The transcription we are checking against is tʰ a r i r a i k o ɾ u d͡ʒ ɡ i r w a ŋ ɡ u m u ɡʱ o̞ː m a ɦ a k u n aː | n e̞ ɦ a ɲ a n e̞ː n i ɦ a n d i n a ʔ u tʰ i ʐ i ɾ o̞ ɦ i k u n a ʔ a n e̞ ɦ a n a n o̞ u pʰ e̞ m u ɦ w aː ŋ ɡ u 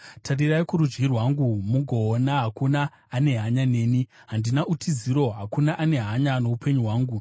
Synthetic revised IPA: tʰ a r i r a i k u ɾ u d͡ʒ ɡ i r w a ŋ ɡ u m u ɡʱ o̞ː n a ɦ a k u n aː | n e̞ ɦ a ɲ a n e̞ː n i ɦ a n d i n a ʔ u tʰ i z i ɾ o̞ ɦ a k u n a ʔ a n e̞ ɦ a ɲ a n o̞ u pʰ e̞ ɲ u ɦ w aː ŋ ɡ u